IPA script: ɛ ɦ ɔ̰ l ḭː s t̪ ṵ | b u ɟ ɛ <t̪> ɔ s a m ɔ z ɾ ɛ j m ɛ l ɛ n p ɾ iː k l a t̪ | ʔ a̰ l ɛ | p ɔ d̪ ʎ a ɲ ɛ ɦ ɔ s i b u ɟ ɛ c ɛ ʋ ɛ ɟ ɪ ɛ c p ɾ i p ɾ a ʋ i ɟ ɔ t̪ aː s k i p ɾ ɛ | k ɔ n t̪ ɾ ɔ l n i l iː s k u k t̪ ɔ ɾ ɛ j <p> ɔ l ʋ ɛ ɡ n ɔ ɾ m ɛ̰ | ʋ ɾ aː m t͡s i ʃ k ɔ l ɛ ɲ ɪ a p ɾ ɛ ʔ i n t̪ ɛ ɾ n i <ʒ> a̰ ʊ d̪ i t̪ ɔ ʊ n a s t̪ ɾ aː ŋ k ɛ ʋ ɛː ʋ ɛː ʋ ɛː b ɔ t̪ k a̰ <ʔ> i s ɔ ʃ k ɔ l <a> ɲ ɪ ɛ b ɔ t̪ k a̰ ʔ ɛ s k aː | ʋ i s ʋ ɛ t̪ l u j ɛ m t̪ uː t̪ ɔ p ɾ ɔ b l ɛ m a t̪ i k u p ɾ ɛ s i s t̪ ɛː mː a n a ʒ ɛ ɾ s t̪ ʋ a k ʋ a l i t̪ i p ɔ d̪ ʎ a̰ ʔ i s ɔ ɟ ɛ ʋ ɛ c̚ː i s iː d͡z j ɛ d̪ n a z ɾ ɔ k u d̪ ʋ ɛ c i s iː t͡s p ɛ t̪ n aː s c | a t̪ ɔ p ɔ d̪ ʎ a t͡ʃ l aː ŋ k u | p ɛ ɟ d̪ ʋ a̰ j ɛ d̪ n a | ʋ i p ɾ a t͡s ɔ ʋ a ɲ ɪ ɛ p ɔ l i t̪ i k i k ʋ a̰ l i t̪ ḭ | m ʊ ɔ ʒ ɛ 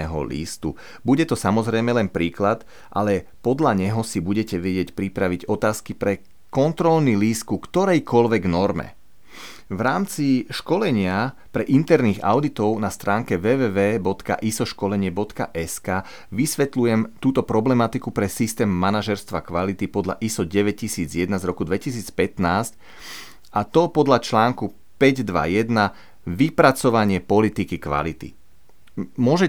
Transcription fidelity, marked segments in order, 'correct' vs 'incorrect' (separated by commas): correct, incorrect, incorrect, correct, incorrect